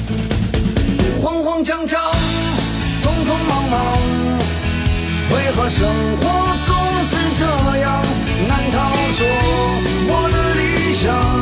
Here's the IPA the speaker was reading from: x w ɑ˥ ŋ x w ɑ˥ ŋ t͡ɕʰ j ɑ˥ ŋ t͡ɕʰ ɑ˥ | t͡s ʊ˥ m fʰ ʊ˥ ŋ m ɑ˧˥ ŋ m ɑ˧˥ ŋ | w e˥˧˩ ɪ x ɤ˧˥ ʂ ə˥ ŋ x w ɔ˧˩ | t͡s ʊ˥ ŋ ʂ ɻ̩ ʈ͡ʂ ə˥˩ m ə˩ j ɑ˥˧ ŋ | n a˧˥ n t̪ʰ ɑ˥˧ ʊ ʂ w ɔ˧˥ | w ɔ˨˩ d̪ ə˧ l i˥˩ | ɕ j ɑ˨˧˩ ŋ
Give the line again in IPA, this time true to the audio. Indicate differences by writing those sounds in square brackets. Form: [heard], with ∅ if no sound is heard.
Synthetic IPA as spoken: x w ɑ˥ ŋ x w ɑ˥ ŋ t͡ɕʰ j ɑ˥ ŋ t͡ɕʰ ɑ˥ | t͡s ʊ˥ [ŋ] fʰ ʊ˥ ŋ m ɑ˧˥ ŋ m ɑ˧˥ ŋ | w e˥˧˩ ɪ x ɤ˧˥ ʂ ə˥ ŋ x w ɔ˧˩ | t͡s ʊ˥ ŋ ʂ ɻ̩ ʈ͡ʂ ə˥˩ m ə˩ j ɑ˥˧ ŋ | n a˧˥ n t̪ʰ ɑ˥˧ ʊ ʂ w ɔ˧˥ | w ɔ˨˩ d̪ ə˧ l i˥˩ | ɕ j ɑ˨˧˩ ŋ